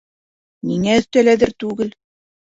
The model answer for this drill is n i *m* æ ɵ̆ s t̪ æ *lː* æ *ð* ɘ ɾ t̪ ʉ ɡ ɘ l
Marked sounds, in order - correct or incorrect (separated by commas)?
incorrect, incorrect, correct